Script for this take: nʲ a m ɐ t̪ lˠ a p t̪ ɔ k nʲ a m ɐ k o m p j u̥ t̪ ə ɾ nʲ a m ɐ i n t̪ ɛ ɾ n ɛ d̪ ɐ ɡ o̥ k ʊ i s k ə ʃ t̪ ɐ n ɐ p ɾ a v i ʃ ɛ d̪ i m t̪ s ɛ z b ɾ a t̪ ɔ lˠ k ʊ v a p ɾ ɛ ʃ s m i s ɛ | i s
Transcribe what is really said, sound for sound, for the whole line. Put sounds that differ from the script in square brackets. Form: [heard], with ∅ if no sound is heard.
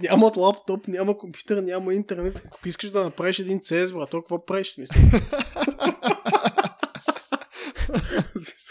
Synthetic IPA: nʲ a m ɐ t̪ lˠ a p t̪ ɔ [p] nʲ a m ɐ k o m p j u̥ t̪ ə ɾ nʲ a m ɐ i n t̪ ɛ ɾ n ɛ [t̪] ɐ [k] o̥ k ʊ i s k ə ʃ [d̪] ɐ n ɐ p ɾ a v i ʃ ɛ d̪ i [n] t̪ s ɛ z b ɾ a t̪ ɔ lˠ k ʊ v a p ɾ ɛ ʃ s m i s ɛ | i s